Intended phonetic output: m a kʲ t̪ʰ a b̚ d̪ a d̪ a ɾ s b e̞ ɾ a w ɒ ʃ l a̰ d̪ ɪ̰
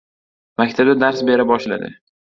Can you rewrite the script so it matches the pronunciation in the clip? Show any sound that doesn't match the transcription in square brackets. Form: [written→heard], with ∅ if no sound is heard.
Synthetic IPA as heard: m a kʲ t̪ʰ a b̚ d̪ a d̪ a ɾ s b e̞ ɾ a [w→b] ɒ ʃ l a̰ d̪ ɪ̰